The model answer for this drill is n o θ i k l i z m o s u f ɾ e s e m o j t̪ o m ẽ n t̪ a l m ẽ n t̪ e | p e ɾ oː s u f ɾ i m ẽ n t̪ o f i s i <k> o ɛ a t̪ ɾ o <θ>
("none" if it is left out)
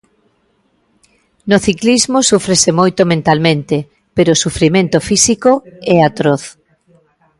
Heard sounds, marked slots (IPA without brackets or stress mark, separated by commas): k, θ